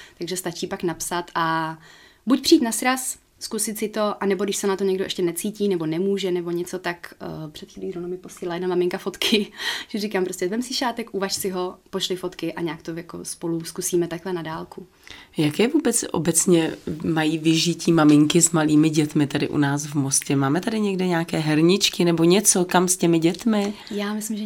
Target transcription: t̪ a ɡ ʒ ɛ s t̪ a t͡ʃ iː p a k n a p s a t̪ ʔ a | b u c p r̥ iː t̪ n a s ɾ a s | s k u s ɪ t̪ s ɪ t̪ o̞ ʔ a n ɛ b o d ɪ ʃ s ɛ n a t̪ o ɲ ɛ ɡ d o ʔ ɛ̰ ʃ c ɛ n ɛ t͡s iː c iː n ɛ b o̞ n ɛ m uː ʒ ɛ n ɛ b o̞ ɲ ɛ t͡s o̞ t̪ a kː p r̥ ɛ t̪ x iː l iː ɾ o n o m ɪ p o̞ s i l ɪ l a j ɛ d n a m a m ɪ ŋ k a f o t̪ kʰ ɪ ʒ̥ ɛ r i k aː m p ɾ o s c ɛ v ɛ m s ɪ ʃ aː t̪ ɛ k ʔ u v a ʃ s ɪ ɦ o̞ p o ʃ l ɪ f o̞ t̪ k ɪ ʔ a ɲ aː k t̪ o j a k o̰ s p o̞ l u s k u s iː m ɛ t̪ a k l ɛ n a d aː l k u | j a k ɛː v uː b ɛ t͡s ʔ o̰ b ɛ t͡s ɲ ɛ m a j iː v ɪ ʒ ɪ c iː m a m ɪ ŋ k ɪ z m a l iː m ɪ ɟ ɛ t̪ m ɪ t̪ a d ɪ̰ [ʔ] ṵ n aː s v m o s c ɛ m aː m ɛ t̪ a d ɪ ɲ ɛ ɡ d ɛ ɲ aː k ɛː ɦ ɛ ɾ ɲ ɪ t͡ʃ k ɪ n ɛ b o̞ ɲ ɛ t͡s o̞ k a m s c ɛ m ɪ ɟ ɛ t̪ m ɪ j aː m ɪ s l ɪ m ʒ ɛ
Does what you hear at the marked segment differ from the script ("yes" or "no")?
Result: no